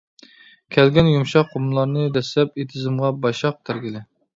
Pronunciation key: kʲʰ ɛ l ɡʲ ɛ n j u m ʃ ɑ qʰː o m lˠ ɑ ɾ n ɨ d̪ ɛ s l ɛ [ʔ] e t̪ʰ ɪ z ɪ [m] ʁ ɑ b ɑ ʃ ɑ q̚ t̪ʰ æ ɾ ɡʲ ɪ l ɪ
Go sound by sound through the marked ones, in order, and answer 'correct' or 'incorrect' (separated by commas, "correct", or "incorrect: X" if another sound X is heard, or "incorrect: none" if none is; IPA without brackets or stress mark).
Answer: incorrect: p, correct